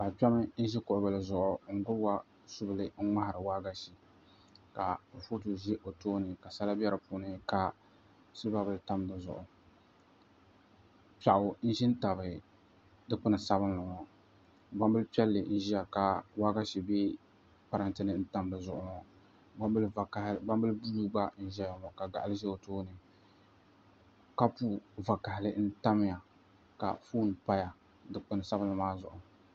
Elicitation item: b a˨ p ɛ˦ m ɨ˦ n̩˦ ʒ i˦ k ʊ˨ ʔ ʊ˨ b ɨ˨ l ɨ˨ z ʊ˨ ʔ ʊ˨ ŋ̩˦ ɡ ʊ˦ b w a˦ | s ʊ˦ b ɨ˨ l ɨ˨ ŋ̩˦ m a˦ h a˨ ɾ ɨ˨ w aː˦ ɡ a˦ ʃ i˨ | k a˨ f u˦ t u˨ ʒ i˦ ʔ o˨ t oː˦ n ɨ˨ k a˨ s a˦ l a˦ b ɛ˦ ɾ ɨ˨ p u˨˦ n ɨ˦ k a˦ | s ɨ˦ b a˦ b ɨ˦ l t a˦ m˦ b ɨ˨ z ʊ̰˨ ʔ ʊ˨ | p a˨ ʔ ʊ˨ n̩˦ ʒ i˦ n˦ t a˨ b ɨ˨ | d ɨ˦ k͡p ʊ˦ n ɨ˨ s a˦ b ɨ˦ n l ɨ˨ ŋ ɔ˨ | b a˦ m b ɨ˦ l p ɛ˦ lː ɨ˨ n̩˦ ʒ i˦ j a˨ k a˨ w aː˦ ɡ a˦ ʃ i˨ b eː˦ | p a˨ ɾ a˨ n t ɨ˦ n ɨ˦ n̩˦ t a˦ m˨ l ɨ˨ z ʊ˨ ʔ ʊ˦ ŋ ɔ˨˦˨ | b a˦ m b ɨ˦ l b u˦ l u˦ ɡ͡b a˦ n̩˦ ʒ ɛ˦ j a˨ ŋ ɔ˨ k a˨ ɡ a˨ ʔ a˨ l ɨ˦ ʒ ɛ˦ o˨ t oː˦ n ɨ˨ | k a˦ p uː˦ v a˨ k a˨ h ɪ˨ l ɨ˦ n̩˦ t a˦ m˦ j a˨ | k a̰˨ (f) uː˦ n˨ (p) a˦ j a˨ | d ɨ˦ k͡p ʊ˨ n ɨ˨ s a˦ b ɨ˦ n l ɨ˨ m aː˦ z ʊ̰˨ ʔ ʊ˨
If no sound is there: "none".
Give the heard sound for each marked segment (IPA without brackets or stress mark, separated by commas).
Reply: f, p